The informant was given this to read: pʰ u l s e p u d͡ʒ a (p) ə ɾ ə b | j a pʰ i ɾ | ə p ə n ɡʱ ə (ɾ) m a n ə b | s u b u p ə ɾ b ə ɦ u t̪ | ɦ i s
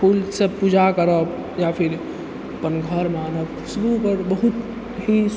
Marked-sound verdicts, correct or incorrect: incorrect, correct

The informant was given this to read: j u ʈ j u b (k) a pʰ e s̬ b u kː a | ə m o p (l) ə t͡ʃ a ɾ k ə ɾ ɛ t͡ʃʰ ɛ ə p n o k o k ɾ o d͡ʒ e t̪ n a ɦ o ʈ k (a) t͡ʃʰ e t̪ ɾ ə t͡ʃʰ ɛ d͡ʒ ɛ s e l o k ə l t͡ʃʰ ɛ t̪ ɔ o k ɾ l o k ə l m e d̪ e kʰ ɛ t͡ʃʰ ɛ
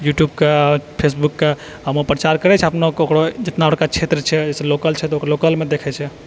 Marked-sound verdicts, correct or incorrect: correct, incorrect, correct

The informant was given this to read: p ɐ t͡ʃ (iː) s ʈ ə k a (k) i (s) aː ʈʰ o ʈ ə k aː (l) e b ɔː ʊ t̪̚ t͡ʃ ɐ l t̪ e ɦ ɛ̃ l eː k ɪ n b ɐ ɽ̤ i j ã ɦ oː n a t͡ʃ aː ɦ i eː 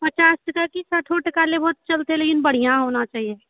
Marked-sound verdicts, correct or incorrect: incorrect, correct, correct, correct

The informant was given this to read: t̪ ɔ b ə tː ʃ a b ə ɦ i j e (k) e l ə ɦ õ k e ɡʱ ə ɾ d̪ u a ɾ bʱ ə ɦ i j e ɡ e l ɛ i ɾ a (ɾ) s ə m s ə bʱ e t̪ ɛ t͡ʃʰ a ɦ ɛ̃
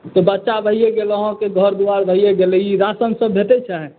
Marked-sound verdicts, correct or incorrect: incorrect, incorrect

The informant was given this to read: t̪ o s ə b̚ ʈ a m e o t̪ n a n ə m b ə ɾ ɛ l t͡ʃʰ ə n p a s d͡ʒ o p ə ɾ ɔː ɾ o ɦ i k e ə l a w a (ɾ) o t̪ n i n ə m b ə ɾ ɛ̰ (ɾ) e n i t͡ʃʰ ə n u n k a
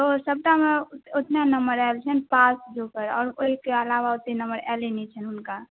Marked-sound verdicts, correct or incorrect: incorrect, incorrect

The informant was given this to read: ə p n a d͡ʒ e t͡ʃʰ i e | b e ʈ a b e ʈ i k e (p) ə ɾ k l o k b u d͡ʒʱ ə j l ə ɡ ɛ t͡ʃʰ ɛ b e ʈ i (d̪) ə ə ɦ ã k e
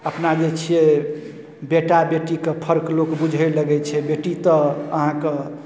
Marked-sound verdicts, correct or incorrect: incorrect, incorrect

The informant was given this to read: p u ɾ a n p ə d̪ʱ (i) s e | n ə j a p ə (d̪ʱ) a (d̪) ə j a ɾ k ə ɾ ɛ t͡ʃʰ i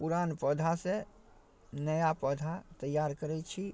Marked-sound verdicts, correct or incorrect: incorrect, correct, incorrect

